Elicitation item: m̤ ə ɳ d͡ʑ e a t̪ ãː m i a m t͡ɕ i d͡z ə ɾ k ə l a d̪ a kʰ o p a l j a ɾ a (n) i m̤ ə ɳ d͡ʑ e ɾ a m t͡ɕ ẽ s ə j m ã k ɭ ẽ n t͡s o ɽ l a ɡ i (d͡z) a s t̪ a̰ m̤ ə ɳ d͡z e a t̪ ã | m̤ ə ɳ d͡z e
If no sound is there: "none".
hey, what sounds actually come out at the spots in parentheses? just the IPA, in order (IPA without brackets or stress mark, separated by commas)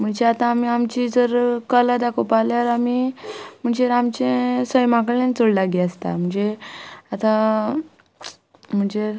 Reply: m, none